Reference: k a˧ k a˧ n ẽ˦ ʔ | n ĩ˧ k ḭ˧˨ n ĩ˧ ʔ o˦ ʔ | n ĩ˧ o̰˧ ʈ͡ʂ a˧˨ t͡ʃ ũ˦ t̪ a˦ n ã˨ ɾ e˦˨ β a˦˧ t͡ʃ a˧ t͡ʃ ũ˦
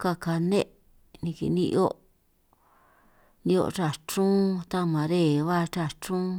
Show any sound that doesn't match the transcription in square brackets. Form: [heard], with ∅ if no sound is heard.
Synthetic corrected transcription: k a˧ k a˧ n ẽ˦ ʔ | n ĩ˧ k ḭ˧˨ n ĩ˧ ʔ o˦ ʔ | n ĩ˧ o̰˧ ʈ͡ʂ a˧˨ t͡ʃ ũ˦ t̪ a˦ [m] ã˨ ɾ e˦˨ β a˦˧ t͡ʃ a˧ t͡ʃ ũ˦